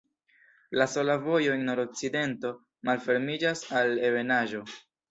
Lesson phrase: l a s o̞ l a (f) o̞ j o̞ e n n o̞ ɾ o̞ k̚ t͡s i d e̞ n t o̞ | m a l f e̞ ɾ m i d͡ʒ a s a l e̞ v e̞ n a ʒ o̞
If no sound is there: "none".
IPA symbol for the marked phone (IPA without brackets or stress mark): v